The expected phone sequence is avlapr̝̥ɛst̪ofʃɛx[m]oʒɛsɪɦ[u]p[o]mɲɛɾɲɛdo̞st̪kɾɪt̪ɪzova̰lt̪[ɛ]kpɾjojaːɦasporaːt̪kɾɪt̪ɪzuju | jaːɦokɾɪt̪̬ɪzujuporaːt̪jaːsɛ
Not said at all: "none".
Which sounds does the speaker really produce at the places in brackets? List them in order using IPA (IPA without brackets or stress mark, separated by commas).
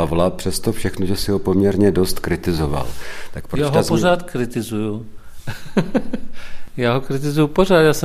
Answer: n, o, o, a